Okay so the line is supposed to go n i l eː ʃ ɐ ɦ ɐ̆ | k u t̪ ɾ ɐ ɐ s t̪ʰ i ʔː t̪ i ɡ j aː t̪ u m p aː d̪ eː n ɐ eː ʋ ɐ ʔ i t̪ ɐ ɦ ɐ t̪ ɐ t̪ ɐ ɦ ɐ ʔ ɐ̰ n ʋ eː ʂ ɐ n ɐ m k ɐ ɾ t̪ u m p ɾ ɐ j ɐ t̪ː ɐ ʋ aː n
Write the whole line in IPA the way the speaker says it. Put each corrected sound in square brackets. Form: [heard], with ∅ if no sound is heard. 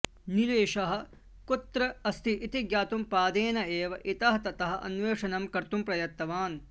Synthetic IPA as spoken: n i l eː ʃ ɐ ɦ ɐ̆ | k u t̪ ɾ ɐ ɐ s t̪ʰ i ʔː t̪ i ɡ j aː t̪ u m p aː d̪ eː n ɐ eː ʋ ɐ ʔ i t̪ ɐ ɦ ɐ t̪ ɐ t̪ ɐ ɦ ɐ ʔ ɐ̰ n ʋ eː ʂ ɐ n ɐ m k ɐ ɾ t̪ u m p ɾ ɐ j ɐ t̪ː ɐ ʋ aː n